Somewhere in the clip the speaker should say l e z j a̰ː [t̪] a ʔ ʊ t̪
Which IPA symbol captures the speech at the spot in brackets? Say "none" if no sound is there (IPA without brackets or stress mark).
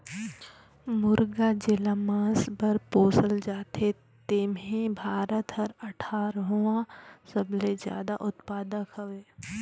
d̪